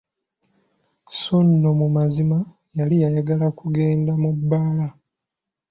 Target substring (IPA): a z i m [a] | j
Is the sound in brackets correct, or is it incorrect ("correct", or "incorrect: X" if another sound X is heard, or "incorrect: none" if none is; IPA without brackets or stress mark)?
correct